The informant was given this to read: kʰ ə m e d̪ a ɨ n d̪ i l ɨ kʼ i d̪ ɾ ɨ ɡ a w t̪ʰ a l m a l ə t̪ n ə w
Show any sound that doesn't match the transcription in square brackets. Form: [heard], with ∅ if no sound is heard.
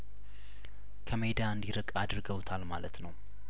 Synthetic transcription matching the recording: kʰ ə m e d̪ a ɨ n d̪ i [ɾ] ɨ kʼ [a] d̪ ɾ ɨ ɡ [ə] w t̪ʰ a l m a l ə t̪ n ə w